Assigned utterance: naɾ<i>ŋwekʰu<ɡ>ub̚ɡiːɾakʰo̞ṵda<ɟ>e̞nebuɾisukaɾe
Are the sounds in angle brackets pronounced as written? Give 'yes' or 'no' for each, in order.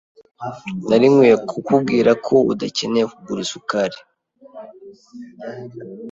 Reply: yes, no, no

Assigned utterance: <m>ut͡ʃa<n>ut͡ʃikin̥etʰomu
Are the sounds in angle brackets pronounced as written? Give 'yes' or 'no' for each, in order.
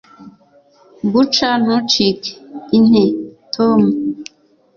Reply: no, yes

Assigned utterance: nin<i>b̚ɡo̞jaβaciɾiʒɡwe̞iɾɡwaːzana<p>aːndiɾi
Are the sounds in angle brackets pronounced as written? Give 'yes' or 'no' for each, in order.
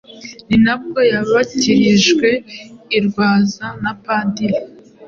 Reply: no, yes

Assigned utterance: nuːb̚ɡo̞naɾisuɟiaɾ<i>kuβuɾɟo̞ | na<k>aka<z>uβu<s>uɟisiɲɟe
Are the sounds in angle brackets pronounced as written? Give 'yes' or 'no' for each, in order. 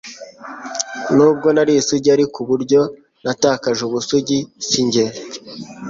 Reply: yes, no, no, yes

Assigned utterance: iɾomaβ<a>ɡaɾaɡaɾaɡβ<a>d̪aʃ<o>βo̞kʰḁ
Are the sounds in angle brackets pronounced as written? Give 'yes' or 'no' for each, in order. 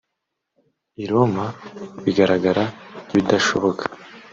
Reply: no, no, yes

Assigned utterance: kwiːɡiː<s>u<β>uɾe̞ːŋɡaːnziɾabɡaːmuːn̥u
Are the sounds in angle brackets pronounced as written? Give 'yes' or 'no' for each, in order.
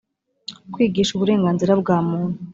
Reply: no, yes

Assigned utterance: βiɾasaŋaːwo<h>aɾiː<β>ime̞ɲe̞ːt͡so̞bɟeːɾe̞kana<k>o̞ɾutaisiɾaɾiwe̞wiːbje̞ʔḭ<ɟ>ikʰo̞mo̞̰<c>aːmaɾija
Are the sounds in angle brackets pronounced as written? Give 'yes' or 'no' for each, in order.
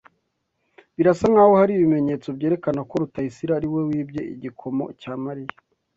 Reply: yes, yes, yes, yes, yes

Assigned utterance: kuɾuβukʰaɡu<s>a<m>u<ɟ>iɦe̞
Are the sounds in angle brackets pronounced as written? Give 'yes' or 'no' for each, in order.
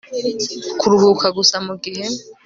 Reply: yes, yes, no

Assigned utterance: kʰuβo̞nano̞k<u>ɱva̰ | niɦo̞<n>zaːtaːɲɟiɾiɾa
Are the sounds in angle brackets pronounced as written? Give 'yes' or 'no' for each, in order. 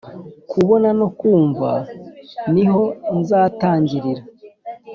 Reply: no, yes

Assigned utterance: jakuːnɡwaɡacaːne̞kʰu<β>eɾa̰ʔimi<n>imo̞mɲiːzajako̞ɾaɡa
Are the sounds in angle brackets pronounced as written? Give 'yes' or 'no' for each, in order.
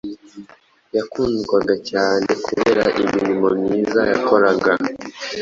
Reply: yes, yes

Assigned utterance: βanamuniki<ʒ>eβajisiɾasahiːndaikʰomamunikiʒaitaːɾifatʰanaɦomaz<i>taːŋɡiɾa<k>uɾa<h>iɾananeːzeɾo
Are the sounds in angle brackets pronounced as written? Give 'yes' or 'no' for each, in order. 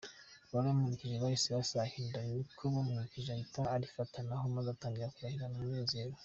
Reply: yes, no, yes, yes

